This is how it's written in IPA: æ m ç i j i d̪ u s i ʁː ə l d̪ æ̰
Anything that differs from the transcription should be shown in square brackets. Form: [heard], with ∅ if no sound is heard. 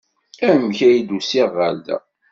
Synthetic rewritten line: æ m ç [æ] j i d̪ u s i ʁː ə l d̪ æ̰

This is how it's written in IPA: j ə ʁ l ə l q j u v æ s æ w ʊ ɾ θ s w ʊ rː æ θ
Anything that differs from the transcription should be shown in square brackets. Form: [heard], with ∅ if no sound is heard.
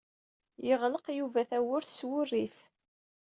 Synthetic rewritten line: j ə ʁ l ə [∅] q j u v æ [θ] æ w ʊ ɾ θ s w ʊ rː [i] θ

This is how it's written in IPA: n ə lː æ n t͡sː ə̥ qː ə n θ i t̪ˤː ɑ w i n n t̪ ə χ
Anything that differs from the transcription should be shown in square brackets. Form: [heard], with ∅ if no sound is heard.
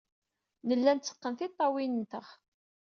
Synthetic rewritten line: n ə lː æ n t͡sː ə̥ qː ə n θ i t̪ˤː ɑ w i n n t̪ ə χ

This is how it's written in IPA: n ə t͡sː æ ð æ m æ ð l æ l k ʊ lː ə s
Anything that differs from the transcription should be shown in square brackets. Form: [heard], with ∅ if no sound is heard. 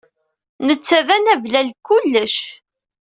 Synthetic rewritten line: n ə t͡sː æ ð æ [n] æ [v] l æ l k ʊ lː ə [ʃ]

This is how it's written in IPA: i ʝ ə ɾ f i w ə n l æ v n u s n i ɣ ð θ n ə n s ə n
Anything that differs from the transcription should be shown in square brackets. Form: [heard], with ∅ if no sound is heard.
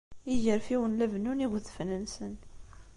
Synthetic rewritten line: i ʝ ə ɾ f i w ə n l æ v n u [∅] n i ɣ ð [f] n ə n s ə n

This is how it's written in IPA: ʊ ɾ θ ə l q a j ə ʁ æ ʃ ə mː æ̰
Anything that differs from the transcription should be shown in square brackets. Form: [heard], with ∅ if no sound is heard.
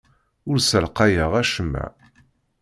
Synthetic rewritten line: ʊ ɾ [s] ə l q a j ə ʁ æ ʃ ə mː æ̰

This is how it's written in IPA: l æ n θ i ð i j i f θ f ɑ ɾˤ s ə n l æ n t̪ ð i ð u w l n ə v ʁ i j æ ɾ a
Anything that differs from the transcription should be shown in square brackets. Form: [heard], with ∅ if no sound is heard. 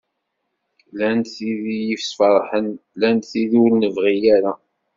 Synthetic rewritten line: l æ n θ i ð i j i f [s] f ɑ ɾˤ [ħ] ə n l æ n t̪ [θ] i ð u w l n ə v ʁ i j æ ɾ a

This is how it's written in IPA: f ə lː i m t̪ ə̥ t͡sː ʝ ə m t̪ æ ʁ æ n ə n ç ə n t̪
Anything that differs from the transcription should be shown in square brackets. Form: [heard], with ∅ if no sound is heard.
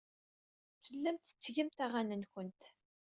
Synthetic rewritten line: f ə lː [æ] m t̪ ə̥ t͡sː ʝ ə m t̪ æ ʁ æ n ə n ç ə n t̪

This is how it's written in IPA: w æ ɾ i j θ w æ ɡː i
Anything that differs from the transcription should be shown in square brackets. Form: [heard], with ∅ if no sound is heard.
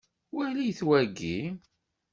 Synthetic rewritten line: w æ [l] i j θ w æ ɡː i

